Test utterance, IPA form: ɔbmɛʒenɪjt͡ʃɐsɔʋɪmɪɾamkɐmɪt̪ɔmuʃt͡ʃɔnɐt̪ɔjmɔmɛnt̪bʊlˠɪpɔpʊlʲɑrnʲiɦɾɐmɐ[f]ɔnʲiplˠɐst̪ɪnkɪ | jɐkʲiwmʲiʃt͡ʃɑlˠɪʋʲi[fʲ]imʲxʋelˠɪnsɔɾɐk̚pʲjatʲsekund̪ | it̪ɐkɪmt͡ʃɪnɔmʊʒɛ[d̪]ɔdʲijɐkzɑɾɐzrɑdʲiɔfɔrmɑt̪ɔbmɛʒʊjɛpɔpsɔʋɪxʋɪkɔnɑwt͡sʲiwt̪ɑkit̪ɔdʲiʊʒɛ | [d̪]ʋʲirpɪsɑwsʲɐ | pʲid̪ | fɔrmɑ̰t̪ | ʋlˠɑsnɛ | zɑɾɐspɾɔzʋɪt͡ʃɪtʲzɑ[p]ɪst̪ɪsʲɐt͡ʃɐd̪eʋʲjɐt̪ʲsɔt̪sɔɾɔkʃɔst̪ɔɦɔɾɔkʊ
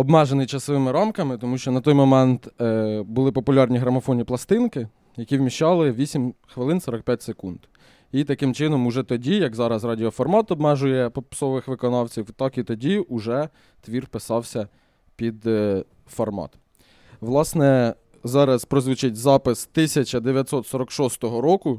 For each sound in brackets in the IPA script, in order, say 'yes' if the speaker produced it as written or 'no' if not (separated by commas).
yes, no, no, no, yes